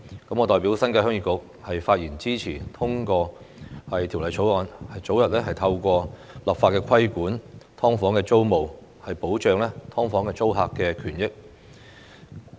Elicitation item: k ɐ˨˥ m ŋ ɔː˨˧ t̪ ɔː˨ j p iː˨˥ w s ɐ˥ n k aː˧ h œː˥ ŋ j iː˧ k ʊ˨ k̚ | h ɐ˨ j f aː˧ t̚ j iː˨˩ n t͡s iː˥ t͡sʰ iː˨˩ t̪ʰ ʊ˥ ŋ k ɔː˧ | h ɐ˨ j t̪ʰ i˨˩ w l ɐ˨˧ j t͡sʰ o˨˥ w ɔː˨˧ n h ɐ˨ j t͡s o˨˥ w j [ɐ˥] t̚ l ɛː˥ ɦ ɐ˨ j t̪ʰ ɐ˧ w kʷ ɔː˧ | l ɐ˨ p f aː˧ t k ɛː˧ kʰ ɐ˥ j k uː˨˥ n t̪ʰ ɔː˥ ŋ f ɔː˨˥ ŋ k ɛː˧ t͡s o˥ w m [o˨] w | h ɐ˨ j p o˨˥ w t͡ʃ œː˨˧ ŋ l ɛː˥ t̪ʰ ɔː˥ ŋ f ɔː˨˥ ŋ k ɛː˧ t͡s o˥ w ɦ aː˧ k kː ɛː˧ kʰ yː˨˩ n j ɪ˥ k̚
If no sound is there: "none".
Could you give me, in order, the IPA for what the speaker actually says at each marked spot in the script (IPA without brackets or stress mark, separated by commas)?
ɐ˨, o˨